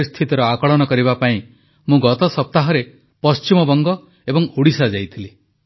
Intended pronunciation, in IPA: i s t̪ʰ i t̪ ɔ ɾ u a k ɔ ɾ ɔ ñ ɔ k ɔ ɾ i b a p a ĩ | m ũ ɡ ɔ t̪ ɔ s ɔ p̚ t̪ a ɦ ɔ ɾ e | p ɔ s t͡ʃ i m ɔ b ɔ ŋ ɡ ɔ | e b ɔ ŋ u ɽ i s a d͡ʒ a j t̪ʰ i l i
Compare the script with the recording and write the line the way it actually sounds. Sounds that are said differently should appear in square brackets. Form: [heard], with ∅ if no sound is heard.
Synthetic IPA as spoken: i s t̪ʰ i t̪ ɔ ɾ [ɔ] a k ɔ [ɭ] ɔ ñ ɔ k ɔ ɾ i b a p a ĩ | m ũ ɡ ɔ t̪ ɔ s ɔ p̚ t̪ a ɦ ɔ ɾ e | p ɔ s t͡ʃ i m ɔ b ɔ ŋ ɡ ɔ | e b ɔ ŋ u ɽ i s a d͡ʒ a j t̪ʰ i l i